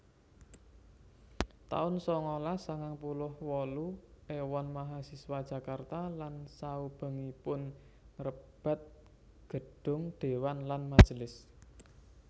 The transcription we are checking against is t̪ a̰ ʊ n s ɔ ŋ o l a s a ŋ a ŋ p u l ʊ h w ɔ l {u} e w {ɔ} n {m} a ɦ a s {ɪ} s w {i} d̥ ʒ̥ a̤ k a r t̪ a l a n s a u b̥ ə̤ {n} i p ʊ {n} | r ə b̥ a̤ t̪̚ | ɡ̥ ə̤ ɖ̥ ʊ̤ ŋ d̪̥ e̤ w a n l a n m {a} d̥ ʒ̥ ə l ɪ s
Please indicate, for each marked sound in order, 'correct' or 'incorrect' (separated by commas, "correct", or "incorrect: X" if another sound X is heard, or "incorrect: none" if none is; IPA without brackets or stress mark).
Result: correct, correct, correct, incorrect: i, incorrect: a, incorrect: ŋ, correct, correct